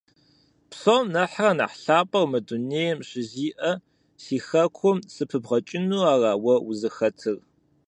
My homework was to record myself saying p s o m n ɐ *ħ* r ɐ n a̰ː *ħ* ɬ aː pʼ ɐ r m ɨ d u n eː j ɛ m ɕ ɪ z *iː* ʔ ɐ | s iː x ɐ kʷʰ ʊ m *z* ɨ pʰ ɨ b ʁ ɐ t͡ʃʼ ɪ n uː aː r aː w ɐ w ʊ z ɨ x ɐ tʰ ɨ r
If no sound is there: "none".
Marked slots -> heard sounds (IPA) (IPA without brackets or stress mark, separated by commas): ħ, ħ, iː, s